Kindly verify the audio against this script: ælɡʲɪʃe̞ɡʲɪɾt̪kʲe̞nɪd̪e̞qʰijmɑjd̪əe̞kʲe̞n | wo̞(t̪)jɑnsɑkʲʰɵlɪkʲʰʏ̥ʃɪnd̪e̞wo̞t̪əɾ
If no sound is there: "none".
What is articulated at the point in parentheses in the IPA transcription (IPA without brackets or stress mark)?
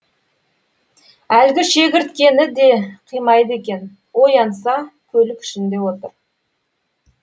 none